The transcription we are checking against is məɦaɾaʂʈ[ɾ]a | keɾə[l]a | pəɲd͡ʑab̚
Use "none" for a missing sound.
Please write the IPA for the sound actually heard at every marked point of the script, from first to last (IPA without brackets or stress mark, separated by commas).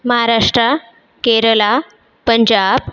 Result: ɾ, l